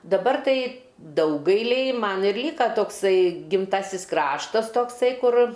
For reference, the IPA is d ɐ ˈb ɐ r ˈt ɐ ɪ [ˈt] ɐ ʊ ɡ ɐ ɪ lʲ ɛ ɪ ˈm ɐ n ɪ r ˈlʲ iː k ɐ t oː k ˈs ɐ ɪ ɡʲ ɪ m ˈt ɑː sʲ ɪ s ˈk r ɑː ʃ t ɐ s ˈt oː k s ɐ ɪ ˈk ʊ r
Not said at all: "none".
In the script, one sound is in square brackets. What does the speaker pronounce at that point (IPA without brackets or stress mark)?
d